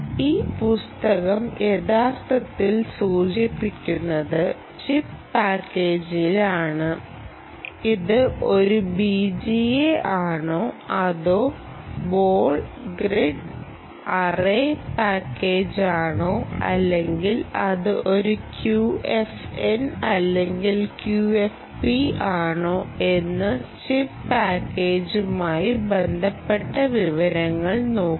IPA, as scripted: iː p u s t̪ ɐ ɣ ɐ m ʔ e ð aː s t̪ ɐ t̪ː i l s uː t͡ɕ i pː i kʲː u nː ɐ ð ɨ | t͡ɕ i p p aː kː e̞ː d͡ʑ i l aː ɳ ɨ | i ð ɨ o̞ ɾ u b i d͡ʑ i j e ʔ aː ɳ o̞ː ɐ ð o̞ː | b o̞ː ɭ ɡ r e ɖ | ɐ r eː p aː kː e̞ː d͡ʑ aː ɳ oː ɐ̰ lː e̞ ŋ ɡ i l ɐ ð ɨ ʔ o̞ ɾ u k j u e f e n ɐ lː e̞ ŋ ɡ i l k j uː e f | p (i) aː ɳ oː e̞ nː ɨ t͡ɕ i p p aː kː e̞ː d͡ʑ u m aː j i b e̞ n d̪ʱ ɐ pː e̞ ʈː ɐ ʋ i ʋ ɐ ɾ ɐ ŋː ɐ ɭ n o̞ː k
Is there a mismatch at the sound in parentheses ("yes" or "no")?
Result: no